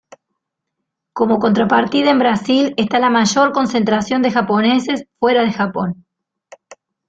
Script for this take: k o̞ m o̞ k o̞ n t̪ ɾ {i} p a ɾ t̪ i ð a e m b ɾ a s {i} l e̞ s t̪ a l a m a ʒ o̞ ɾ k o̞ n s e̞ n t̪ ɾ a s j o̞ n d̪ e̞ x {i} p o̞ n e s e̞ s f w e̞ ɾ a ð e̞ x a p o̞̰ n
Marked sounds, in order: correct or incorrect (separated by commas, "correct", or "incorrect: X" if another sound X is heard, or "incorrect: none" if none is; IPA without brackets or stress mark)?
incorrect: a, correct, incorrect: a